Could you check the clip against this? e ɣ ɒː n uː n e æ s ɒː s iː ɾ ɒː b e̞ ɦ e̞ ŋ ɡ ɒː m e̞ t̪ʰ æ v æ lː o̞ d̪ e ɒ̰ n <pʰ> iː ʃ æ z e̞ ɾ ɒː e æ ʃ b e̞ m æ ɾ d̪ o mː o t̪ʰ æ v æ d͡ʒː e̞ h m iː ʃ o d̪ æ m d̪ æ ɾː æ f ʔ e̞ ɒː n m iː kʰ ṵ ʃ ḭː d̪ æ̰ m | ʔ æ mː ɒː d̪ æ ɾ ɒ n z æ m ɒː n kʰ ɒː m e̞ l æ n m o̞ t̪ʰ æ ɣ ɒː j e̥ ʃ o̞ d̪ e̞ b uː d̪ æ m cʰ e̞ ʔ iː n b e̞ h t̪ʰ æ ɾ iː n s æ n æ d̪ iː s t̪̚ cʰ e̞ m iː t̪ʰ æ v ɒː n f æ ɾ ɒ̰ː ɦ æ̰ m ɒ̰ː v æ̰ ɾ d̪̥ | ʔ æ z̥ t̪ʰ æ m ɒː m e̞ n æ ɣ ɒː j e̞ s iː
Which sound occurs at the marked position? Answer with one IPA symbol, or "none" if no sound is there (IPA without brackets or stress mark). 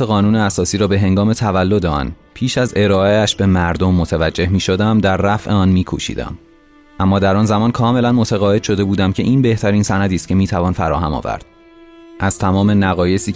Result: pʰ